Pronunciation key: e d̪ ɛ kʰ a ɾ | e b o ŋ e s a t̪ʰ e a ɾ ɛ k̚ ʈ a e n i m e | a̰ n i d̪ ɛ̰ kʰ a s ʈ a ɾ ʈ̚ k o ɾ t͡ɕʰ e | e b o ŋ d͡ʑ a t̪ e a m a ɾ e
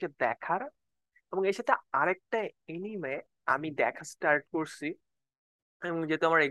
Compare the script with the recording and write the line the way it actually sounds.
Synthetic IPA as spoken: e d̪ ɛ kʰ a ɾ | e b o ŋ e ʃ a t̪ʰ e a ɾ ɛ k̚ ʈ a e n i m e | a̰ m i d̪ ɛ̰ kʰ a s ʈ a ɾ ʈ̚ k o ɾ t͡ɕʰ i | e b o ŋ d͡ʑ e t̪ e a m a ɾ e